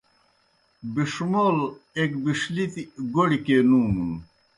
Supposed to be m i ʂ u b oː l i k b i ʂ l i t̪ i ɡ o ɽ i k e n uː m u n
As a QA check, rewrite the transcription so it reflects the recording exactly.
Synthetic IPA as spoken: b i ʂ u m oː l e k b i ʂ l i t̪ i ɡ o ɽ i k e n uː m u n